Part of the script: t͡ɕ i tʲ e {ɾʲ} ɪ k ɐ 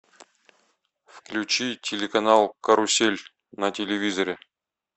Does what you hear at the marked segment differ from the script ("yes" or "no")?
yes